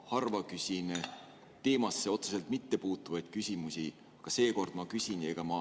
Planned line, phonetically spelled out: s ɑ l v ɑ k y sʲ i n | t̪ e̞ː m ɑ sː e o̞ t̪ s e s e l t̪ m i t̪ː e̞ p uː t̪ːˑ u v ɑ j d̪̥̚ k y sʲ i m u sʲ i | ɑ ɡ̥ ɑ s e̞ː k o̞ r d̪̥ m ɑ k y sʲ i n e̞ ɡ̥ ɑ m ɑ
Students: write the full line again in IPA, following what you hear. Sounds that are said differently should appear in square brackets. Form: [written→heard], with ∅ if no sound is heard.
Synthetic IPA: [s→h] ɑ [l→r] v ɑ k y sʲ i n | t̪ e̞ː m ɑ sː e o̞ t̪ s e s e l t̪ m i t̪ː e̞ p uː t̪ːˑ u v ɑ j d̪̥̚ k y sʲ i m u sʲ i | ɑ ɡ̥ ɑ s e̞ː k o̞ r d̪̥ m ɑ k y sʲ i n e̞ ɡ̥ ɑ m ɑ